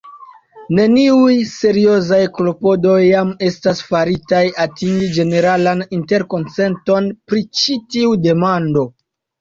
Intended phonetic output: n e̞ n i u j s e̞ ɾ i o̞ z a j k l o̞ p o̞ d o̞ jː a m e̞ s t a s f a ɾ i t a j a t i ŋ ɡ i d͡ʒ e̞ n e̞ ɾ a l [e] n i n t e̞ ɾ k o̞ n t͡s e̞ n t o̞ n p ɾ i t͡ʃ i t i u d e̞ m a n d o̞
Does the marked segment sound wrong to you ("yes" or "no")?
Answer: yes